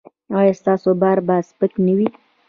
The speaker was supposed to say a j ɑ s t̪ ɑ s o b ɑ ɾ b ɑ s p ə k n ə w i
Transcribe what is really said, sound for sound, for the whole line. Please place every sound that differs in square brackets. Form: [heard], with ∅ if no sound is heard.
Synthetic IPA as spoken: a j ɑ s t̪ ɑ s o b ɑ ɾ b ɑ s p ə k n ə w i